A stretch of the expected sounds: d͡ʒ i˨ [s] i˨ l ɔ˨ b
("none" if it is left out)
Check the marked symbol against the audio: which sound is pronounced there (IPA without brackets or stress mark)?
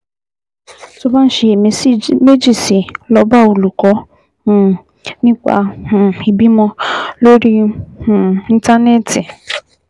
s